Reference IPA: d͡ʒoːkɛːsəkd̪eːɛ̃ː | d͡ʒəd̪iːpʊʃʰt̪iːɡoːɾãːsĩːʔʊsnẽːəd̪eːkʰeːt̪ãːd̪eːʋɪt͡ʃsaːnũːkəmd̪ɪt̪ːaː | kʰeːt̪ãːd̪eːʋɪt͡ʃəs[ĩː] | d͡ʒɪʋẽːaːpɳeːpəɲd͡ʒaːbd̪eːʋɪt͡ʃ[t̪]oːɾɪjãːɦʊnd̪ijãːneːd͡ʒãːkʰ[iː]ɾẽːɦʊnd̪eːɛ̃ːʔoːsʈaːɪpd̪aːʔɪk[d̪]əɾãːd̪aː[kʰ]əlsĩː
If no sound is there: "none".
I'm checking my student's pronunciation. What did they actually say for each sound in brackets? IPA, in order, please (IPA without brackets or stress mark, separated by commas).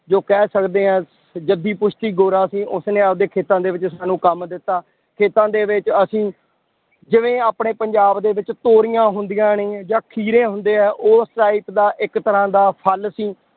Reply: ĩː, t̪, iː, t̪, pʰ